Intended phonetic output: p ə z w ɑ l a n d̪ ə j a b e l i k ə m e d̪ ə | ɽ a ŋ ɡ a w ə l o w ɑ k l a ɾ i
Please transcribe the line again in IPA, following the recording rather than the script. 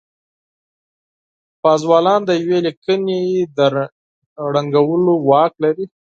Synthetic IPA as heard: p ɑ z w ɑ l ɑ n d̪ ə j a w e l i k ə n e d̪ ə | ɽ a ŋ ɡ a w ə l o w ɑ k l a ɾ i